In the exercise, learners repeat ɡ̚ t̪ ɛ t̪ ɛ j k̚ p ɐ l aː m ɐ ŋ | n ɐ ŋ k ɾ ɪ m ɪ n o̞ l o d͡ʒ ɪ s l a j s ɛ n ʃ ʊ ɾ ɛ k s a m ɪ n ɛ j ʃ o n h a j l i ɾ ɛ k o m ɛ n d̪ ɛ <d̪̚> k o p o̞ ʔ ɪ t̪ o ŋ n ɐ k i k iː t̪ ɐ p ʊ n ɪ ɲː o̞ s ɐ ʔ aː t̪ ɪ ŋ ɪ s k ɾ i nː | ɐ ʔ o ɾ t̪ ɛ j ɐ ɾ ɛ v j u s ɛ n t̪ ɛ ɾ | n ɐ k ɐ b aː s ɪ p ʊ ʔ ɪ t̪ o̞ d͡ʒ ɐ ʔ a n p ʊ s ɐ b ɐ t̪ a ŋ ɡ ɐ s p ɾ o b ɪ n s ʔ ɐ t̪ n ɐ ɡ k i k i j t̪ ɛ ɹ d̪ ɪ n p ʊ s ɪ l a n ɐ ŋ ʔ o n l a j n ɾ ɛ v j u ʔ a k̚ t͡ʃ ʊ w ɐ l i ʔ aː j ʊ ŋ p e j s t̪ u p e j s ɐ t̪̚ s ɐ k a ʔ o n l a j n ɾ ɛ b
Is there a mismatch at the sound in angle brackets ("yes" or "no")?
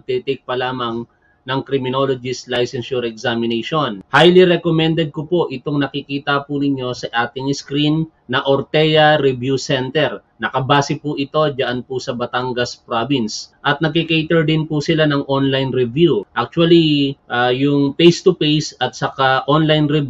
no